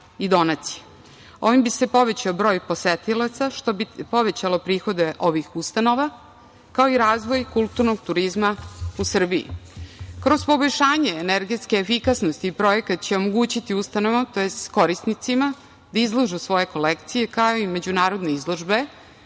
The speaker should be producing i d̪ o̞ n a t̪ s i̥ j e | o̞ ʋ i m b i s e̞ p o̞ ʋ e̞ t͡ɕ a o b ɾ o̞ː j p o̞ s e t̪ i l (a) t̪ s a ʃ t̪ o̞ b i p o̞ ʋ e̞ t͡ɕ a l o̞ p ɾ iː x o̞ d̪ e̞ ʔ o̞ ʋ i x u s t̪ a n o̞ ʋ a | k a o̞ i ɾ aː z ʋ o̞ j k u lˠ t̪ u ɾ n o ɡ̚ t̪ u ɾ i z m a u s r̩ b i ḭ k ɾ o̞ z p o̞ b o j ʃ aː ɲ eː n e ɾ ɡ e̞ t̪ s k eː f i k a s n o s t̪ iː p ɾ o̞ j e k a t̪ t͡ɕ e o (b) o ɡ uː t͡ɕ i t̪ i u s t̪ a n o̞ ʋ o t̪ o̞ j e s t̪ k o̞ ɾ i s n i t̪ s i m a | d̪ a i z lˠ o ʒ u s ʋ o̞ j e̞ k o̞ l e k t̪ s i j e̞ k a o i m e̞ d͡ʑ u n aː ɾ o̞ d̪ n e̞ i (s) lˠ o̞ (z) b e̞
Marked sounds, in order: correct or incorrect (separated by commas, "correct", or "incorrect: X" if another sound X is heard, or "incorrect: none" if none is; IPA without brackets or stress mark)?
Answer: correct, incorrect: m, incorrect: z, incorrect: ʒ